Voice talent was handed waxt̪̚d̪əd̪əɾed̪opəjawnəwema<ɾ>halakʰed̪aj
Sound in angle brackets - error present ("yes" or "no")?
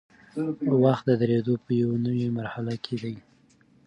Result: no